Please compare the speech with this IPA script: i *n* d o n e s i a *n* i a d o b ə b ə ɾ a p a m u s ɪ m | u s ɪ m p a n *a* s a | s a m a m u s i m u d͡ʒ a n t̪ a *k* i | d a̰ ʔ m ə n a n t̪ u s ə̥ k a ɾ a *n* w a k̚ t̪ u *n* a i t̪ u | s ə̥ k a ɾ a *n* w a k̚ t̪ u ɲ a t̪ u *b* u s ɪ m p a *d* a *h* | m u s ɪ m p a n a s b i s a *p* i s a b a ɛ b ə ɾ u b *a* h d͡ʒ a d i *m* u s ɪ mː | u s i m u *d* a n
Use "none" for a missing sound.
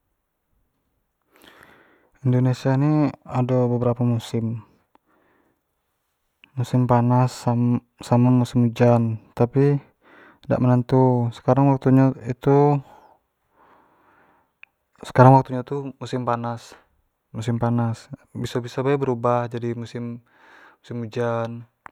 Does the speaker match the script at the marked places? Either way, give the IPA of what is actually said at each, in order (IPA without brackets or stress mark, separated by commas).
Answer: n, n, a, p, ŋ, ɲ, ŋ, m, n, s, b, a, m, d͡ʒ